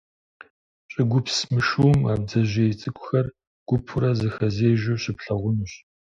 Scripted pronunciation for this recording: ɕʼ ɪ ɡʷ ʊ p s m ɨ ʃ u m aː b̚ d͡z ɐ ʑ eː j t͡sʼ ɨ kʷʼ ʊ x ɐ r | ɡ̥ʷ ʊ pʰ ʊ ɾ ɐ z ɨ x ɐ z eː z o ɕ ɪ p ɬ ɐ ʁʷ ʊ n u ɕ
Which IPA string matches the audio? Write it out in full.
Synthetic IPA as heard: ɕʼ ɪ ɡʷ ʊ p s m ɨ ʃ u m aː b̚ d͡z ɐ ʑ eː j t͡sʼ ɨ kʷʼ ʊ x ɐ r | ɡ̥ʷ ʊ pʰ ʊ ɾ ɐ z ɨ x ɐ z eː ʒ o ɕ ɪ p ɬ ɐ ʁʷ ʊ n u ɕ